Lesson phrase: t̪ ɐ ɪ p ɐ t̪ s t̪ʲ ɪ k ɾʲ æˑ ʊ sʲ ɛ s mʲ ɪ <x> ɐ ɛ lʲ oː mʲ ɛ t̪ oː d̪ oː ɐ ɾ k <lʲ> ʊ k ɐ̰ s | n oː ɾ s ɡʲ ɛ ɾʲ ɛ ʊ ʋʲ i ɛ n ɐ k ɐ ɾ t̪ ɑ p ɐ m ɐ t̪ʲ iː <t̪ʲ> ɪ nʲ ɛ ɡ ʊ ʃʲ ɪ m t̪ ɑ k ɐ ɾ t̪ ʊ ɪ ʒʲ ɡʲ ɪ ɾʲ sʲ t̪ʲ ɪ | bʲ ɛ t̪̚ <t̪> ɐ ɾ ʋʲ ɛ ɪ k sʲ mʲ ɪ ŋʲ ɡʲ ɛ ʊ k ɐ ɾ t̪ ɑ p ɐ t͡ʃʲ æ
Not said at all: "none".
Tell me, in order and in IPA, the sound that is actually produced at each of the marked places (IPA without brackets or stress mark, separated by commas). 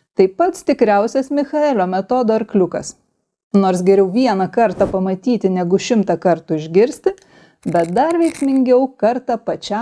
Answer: x, lʲ, t̪ʲ, d̪